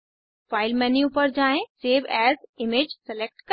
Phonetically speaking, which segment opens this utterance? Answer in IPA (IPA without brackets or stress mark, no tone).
f